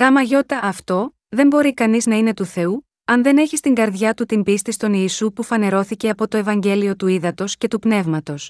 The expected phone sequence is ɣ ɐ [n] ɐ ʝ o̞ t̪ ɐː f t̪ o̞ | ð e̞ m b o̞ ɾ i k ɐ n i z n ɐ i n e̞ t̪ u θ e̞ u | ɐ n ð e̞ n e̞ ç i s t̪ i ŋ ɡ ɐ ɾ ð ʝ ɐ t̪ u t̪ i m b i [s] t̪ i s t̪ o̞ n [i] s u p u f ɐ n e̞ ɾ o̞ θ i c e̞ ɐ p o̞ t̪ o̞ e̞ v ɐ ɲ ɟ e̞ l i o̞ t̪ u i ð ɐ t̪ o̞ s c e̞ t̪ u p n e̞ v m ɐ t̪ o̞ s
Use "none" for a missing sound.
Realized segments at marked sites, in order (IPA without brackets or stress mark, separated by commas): m, s, iː